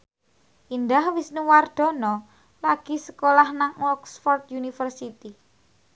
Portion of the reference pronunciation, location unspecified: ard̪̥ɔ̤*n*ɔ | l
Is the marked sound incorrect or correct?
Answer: correct